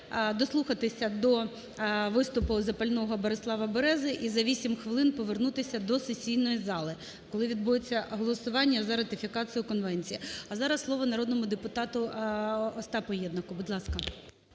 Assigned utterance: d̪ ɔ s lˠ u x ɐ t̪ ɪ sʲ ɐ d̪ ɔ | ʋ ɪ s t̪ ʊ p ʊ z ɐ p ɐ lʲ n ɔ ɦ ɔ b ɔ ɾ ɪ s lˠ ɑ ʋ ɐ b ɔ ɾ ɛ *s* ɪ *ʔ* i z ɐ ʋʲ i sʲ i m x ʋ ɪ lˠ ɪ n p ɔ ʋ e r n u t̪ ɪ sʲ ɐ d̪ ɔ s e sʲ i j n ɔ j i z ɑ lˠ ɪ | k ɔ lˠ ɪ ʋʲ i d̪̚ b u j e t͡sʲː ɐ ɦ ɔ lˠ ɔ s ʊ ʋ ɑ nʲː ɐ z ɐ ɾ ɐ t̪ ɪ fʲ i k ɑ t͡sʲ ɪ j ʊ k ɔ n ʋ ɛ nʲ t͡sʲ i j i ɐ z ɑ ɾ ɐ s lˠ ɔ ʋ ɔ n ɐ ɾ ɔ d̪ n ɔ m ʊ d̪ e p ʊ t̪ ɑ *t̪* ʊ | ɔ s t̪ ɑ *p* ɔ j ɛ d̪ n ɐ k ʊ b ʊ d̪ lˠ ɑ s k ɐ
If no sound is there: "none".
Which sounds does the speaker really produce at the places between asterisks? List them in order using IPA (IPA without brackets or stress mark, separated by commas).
z, ʔ, t̪, p